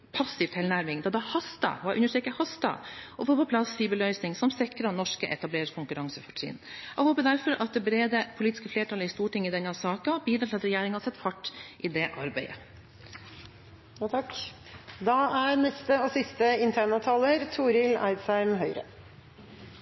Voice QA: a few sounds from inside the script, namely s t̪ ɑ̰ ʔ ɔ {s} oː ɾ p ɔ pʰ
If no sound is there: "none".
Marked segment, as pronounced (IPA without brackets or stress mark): f